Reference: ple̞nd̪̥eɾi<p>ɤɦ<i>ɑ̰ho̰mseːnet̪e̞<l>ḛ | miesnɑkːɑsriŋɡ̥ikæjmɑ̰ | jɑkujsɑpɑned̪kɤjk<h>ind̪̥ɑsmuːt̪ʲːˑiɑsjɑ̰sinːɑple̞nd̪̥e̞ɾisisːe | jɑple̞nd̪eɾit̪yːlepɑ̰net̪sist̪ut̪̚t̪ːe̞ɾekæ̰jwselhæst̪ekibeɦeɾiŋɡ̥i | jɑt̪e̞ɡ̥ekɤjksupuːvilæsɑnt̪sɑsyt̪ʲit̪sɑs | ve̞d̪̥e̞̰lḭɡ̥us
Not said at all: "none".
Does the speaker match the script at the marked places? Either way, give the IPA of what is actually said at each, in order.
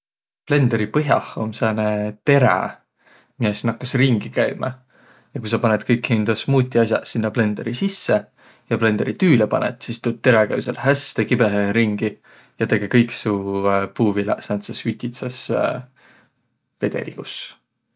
p, j, ɾ, h

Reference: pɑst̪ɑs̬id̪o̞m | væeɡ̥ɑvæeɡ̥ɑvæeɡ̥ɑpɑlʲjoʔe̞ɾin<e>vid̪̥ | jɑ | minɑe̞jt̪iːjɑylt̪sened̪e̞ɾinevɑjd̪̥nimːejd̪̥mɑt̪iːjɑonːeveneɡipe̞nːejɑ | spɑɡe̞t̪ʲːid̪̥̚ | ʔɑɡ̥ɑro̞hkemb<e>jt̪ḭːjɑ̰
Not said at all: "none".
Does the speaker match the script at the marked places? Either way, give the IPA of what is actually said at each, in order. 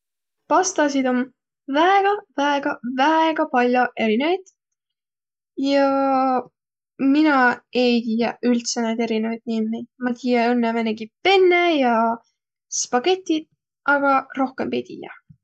e, e

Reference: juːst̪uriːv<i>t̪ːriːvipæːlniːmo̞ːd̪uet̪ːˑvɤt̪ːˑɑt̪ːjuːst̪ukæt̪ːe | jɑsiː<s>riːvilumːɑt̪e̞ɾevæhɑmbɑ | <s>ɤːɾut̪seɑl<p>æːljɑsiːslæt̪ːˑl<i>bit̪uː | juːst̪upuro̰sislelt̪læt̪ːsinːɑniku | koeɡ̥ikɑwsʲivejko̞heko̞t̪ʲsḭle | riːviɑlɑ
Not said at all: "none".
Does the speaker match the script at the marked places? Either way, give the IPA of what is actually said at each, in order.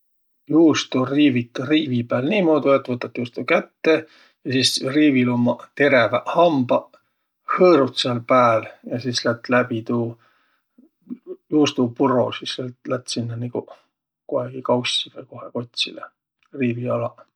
i, s, h, p, æ

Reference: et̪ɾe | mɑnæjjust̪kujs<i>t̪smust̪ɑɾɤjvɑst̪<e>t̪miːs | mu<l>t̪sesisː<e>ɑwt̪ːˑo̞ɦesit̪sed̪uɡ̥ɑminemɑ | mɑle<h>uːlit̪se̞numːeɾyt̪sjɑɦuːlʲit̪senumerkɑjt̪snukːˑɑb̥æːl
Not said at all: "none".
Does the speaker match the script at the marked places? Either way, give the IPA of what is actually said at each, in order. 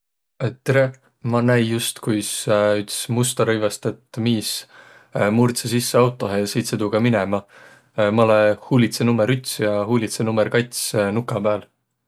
y, e, r, e, h

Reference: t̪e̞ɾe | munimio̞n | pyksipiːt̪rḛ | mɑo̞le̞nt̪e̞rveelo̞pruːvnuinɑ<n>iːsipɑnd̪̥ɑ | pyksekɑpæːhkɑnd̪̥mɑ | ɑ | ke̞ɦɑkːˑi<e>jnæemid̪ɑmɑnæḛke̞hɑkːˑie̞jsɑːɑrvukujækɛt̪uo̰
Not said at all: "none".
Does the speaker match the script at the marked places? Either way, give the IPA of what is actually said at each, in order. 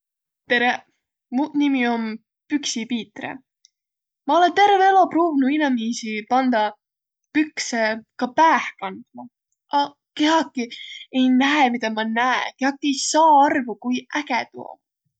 m, e

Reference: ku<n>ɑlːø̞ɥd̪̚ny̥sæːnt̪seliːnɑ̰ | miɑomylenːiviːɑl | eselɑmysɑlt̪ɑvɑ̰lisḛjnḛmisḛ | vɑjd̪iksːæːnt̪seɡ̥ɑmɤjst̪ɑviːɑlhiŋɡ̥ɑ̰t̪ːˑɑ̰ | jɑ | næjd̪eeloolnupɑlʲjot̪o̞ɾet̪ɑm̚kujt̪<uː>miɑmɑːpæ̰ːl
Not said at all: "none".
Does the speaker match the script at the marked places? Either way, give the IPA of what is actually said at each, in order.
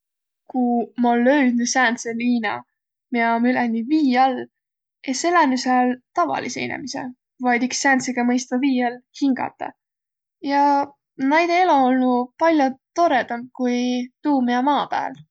m, uː

